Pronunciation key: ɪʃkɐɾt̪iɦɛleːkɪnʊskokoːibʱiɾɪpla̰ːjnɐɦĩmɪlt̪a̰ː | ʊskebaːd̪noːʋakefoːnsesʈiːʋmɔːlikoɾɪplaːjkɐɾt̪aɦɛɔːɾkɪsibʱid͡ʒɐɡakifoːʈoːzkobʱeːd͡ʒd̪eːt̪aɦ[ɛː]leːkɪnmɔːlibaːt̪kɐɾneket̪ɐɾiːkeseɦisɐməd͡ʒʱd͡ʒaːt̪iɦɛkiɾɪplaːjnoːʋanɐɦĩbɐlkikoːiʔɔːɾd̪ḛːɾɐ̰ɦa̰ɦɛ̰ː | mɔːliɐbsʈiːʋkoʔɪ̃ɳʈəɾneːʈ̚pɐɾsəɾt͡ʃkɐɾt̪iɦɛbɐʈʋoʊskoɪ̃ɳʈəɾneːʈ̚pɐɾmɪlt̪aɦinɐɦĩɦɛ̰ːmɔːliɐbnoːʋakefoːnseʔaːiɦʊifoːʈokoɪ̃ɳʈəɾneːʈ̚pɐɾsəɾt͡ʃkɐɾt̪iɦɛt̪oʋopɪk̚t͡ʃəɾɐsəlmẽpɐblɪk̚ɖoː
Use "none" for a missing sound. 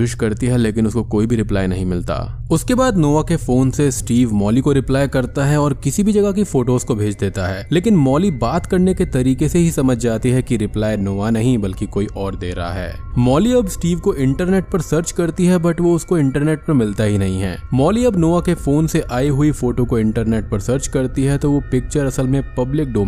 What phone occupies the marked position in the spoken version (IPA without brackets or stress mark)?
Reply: ɛː